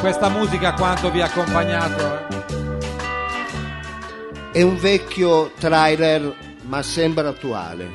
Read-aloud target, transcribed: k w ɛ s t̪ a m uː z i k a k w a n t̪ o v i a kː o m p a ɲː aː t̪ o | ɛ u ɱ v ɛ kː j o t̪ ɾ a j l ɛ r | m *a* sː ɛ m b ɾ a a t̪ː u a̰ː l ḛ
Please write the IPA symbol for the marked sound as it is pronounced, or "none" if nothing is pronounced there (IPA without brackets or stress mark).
a